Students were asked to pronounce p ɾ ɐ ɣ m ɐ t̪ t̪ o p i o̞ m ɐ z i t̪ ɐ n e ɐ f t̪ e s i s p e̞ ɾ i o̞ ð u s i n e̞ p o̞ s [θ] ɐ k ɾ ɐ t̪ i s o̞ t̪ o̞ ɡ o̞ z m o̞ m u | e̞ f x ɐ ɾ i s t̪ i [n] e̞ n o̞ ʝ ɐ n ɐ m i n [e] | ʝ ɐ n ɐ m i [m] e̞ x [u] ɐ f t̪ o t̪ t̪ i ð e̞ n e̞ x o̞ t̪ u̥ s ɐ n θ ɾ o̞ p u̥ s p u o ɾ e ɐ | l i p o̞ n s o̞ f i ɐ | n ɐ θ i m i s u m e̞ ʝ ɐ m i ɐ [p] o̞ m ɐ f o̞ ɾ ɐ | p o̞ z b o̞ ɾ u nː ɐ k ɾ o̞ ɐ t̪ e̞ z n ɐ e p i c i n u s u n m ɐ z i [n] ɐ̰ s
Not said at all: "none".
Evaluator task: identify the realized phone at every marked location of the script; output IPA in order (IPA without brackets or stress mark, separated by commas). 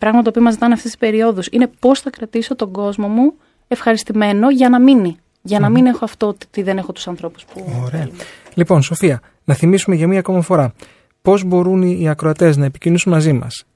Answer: θ, m, i, n, o, k, m